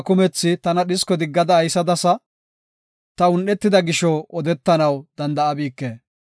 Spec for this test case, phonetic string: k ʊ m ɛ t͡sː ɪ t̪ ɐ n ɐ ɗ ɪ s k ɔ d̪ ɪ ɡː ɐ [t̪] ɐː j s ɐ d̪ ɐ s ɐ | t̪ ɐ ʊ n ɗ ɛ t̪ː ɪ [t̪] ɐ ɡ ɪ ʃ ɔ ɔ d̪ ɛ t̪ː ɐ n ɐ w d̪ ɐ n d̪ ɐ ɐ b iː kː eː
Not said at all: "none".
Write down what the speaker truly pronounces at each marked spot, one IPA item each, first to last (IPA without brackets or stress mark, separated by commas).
d̪, d̪